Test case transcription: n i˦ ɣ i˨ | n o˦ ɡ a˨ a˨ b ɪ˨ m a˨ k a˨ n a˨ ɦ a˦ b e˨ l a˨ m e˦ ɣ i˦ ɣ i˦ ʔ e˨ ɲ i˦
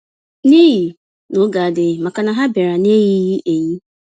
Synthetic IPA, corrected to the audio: n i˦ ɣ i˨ | n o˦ ɡ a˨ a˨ d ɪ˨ m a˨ k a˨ n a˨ ɦ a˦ b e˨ ɾ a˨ n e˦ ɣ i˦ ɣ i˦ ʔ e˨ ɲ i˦